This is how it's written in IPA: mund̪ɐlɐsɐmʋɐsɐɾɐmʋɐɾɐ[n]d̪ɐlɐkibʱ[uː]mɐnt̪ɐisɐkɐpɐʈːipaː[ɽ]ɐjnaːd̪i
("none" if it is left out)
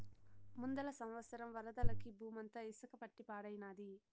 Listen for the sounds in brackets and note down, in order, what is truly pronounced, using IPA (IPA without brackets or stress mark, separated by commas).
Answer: none, uː, ɽ